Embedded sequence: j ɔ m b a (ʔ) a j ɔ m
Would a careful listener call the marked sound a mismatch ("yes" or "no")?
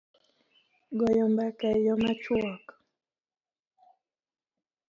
yes